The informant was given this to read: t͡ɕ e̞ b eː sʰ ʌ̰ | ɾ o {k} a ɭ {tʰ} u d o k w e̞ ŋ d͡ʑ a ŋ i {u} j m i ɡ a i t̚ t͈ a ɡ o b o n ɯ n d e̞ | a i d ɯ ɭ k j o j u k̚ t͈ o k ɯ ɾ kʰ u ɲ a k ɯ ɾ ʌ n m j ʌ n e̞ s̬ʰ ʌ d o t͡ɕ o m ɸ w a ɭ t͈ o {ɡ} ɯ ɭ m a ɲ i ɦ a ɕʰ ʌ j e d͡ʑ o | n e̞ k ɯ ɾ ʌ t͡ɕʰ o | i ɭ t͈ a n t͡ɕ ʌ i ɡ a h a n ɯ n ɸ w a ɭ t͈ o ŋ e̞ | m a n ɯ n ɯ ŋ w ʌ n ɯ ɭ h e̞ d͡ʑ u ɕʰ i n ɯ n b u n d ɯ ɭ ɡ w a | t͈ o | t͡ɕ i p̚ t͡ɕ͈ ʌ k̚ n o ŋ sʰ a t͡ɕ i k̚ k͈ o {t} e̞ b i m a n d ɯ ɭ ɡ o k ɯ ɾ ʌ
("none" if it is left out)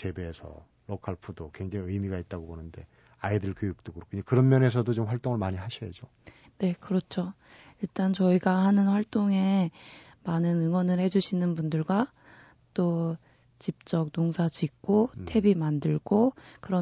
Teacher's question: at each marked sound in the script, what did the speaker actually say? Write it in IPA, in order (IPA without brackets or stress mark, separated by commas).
kʰ, pʰ, ɯ, ŋ, tʰ